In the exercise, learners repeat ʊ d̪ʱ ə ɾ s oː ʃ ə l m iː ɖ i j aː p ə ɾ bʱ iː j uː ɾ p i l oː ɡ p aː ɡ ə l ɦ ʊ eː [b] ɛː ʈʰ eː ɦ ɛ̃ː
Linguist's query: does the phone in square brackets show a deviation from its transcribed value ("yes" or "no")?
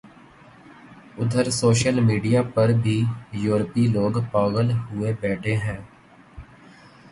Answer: no